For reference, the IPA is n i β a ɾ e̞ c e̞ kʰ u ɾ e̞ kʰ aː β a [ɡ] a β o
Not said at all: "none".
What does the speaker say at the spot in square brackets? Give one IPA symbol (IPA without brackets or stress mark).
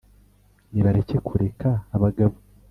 ɡ